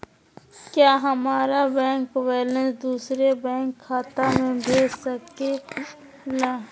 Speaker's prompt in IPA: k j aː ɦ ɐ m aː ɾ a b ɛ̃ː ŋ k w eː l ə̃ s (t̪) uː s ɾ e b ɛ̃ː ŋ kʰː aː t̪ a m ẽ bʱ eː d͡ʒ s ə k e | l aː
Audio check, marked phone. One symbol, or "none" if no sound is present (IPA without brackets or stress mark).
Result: d̪